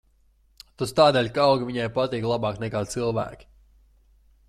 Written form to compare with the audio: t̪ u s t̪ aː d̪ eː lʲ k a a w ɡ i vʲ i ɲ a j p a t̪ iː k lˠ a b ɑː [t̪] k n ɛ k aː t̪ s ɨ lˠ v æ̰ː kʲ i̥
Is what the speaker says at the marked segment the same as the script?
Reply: no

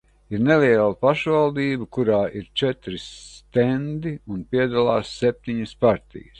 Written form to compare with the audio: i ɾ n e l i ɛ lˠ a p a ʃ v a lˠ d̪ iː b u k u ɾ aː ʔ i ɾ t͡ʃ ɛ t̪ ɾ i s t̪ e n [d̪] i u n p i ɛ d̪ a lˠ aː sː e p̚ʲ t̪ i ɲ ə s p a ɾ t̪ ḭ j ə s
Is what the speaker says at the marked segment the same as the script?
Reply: yes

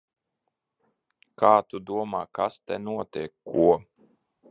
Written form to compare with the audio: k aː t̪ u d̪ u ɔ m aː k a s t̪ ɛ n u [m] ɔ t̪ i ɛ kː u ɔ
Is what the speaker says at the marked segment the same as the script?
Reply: no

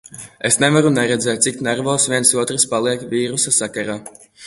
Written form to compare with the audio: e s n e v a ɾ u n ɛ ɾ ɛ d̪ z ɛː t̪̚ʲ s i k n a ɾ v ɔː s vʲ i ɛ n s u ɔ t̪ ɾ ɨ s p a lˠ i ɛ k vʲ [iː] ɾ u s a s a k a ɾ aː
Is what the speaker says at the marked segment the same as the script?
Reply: yes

